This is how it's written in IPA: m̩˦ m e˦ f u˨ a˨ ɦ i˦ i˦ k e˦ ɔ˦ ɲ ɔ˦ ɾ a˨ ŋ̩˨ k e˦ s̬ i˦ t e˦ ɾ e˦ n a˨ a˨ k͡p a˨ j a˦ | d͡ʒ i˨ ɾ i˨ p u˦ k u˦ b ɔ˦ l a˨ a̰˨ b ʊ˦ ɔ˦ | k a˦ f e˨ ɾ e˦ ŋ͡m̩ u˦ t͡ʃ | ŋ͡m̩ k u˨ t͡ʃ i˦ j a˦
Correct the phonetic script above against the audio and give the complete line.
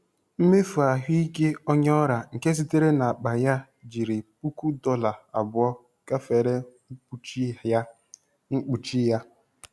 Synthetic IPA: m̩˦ m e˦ f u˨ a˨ ɦ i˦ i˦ k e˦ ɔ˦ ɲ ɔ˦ ɾ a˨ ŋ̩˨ k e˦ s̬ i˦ t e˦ ɾ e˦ n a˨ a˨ k͡p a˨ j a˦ | d͡ʒ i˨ ɾ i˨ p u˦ k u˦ d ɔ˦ l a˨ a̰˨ b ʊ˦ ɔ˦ | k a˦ f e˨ ɾ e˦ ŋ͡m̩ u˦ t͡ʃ | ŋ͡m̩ k͡p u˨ t͡ʃ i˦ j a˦